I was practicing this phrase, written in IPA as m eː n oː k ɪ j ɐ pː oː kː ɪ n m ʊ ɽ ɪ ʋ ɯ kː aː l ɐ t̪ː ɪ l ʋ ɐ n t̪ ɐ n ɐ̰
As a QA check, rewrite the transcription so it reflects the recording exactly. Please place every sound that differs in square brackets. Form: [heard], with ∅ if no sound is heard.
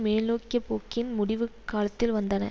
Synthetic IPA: m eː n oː k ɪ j ɐ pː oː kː ɪ n m ʊ ɽ ɪ ʋ ɯ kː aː l ɐ t̪ː ɪ l ʋ ɐ n [d̪] ɐ n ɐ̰